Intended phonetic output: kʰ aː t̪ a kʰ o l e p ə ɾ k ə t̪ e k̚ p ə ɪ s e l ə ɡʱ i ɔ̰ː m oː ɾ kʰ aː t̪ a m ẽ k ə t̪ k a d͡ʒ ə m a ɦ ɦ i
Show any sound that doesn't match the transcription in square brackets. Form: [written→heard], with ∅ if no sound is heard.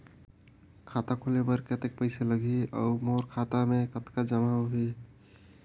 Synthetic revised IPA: kʰ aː t̪ a kʰ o l e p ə ɾ k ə t̪ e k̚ p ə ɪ s e l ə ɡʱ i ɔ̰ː m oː ɾ kʰ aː t̪ a m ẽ k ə t̪ k a d͡ʒ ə m a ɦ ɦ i